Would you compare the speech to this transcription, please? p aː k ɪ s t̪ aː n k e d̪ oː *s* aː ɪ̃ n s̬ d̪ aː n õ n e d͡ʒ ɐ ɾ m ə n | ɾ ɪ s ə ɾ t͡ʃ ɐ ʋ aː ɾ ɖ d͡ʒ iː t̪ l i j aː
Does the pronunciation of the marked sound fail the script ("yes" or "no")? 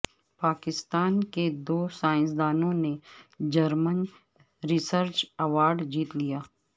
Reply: no